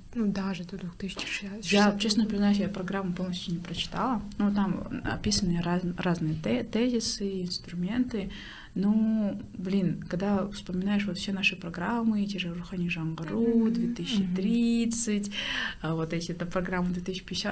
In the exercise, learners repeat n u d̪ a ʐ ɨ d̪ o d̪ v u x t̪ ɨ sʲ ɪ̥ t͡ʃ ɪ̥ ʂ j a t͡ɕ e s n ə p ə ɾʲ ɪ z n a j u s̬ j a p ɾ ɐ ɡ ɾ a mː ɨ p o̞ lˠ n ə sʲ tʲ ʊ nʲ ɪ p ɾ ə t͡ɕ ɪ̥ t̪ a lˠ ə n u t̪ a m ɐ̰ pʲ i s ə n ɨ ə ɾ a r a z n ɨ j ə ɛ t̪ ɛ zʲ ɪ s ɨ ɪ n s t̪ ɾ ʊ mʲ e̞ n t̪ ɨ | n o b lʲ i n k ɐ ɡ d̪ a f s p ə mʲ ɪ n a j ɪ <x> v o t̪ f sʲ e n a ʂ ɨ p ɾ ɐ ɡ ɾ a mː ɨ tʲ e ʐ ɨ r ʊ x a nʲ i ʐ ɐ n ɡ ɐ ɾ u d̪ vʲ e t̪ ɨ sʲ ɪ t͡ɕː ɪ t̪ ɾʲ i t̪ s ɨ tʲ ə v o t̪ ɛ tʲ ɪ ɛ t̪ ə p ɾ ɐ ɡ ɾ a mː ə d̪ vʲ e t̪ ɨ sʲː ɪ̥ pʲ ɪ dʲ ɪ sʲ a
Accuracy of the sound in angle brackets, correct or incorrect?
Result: incorrect